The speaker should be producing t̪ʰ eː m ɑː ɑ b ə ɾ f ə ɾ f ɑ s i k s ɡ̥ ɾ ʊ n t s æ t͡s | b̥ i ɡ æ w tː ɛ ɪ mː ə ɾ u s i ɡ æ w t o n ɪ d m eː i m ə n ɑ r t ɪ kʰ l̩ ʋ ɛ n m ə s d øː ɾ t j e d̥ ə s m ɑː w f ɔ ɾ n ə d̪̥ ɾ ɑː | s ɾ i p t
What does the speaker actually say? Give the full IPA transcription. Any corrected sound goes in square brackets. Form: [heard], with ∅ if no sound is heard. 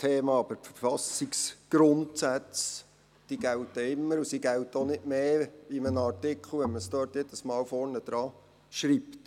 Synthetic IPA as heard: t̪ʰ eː m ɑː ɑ b ə ɾ f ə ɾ f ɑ s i k s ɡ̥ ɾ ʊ n t s æ t͡s | [d̥] i ɡ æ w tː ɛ ɪ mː ə ɾ u s i ɡ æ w t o n ɪ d m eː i m ə n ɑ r t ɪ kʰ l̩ ʋ ɛ n m ə s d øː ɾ t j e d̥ ə s m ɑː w f ɔ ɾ n ə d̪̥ ɾ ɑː | [ʃ] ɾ i p t